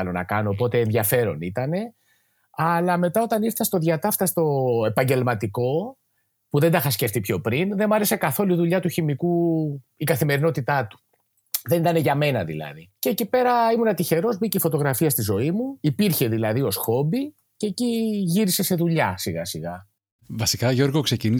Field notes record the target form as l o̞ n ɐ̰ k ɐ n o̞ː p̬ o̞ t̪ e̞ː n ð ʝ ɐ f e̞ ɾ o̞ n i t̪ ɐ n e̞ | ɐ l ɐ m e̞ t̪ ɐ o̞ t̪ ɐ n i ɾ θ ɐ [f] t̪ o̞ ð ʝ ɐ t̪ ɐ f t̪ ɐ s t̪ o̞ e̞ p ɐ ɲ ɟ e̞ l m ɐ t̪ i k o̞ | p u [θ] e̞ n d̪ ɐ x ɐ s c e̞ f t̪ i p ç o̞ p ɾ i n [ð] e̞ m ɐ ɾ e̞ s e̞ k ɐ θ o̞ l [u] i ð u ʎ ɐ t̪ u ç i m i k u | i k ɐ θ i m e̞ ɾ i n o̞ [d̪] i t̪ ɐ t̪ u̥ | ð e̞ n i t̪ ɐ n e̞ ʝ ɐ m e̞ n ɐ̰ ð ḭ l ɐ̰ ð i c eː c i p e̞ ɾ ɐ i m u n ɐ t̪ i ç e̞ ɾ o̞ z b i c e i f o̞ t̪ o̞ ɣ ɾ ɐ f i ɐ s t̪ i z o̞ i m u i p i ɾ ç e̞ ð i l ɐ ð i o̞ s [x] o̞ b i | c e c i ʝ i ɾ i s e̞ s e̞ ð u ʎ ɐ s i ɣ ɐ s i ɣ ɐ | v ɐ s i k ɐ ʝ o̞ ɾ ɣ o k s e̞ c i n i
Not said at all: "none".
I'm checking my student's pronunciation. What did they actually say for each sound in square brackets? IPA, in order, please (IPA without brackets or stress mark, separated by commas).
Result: s, ð, ð, u, t̪, x